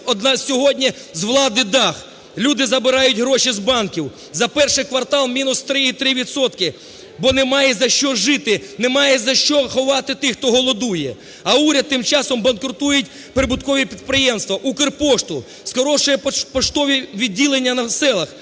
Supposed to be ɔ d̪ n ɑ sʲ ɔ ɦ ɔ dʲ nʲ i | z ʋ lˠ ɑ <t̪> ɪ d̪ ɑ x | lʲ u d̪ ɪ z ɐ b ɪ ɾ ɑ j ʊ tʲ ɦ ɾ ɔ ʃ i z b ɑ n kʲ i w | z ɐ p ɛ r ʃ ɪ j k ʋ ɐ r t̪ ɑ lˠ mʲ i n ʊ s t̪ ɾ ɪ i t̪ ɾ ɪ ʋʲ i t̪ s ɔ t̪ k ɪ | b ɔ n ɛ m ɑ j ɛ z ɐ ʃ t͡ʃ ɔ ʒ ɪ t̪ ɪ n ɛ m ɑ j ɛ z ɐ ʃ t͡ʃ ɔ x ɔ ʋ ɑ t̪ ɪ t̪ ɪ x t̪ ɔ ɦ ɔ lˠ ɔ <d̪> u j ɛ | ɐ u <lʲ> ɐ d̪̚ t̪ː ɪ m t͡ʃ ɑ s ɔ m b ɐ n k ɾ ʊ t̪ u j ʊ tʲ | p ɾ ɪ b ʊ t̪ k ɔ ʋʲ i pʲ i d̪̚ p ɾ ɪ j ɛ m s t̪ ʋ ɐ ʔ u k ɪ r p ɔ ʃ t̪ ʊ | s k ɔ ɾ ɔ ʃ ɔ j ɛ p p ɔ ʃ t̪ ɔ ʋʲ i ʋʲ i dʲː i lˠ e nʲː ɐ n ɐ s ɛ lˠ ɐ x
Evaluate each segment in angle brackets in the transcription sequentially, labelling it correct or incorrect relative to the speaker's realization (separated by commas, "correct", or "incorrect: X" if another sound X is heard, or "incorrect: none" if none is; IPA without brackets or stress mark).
incorrect: d̪, correct, incorrect: ɾʲ